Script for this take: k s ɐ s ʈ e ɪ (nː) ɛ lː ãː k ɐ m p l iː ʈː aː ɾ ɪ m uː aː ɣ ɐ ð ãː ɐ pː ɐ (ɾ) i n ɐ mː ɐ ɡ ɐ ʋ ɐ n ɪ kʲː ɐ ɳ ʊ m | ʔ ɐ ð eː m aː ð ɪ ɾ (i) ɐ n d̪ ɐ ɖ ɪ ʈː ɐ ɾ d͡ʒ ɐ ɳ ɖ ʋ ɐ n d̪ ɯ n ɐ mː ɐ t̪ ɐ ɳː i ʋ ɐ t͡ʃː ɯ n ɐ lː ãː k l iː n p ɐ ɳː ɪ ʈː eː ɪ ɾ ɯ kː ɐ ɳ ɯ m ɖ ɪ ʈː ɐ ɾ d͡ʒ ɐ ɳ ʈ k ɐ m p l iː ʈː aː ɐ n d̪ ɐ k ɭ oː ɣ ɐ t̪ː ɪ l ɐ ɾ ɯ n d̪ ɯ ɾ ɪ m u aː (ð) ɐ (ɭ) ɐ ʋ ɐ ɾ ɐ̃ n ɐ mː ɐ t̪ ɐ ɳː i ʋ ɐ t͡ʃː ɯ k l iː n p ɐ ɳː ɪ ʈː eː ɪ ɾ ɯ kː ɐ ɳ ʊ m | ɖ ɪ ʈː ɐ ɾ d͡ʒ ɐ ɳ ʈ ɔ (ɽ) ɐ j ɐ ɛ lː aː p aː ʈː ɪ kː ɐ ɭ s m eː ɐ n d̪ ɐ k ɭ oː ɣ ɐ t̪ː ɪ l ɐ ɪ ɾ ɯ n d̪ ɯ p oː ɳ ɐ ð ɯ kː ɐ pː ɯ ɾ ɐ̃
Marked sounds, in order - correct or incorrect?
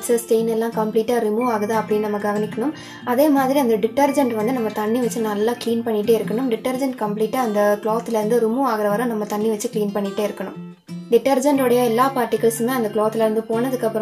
incorrect: n, incorrect: ɽ, correct, incorrect: ɣ, incorrect: ɾ, correct

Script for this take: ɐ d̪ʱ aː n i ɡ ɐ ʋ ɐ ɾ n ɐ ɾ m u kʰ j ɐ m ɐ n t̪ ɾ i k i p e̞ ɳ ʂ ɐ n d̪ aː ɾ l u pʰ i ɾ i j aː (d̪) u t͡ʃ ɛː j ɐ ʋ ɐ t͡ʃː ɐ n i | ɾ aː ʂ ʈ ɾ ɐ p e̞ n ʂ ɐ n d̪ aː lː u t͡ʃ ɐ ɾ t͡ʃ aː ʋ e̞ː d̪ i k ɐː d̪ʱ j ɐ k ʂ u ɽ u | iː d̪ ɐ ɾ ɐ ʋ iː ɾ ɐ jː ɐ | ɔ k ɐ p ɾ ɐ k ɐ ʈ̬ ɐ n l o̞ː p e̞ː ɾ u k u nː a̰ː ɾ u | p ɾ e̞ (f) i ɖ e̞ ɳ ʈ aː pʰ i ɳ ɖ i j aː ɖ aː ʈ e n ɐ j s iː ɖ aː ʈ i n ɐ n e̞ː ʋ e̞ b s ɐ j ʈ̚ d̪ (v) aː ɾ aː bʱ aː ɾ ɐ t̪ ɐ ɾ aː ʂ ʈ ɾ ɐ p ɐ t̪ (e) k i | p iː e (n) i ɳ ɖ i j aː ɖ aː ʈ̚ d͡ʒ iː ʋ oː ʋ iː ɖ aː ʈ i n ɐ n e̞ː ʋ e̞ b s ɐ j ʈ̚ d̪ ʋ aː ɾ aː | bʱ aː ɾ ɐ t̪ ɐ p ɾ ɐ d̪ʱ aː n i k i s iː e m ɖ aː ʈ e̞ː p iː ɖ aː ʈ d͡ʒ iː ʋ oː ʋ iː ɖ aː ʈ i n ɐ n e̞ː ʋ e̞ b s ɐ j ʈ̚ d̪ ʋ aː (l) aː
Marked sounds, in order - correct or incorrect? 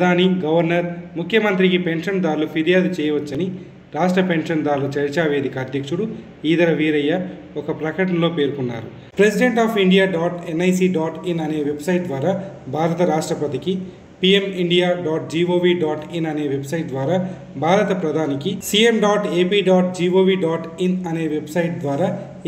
correct, incorrect: s, incorrect: ʋ, incorrect: i, incorrect: m, incorrect: ɾ

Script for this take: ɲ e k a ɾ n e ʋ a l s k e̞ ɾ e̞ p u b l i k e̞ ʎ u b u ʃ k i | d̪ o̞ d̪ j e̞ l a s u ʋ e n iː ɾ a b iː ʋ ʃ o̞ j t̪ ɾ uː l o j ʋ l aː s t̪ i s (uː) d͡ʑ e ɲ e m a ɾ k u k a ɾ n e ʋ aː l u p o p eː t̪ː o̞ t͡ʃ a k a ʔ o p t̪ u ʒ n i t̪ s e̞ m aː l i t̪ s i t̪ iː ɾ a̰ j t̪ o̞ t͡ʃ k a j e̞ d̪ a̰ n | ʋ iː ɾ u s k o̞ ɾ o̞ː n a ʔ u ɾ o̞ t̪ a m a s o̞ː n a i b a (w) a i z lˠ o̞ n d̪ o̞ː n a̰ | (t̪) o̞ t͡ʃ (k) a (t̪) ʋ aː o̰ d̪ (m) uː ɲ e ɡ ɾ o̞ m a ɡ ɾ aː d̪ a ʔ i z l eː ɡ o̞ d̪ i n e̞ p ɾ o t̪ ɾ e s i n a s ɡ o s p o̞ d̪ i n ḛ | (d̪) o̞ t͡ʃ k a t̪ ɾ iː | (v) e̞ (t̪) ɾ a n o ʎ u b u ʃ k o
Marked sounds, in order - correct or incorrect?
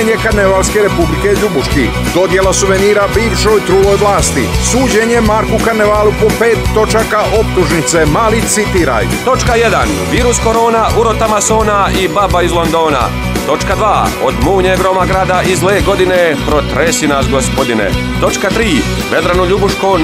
correct, incorrect: b, correct, correct, incorrect: d̪, correct, incorrect: t̪, incorrect: ʋ, incorrect: d̪

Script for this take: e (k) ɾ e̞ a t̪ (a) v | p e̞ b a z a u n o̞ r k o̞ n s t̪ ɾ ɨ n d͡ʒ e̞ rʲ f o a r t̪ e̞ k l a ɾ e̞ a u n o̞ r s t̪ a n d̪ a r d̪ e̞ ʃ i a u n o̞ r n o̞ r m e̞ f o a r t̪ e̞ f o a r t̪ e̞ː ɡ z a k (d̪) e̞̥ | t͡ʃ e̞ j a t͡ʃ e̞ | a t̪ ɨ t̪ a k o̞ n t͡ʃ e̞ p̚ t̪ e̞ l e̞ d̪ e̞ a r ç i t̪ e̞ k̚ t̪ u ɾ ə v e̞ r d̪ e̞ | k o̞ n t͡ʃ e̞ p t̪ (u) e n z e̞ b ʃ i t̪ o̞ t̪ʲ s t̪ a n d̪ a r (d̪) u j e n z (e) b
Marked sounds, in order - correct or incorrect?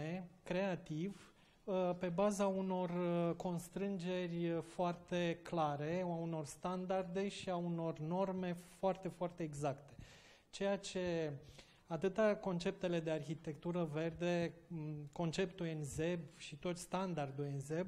correct, incorrect: i, incorrect: t̪, correct, correct, correct

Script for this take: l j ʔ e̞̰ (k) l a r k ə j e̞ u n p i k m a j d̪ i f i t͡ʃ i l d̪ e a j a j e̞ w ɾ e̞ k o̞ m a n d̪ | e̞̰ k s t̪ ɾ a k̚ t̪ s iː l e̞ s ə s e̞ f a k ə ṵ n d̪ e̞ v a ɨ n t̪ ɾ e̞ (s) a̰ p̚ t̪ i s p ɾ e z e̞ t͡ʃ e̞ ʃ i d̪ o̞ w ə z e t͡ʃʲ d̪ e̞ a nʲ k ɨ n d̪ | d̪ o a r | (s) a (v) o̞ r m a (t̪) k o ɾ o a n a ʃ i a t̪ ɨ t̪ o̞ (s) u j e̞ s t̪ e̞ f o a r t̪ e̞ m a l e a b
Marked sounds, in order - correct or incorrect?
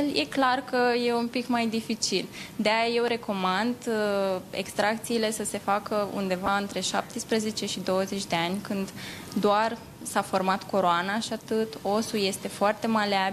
correct, incorrect: ʃ, correct, incorrect: f, correct, correct

